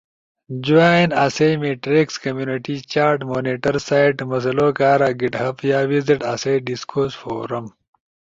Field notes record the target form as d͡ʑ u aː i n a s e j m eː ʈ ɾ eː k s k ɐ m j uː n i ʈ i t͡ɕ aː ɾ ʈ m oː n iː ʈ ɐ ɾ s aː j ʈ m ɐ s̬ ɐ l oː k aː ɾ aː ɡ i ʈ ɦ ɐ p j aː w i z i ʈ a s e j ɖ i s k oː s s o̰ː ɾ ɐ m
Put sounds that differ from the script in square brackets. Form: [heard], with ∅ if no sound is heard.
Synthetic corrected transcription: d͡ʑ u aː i n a s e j m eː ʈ ɾ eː k s k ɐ m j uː n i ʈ i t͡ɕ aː ɾ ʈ m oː n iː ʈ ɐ ɾ s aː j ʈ m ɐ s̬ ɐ l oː k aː ɾ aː ɡ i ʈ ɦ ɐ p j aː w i z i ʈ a s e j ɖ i s k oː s [f] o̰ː ɾ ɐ m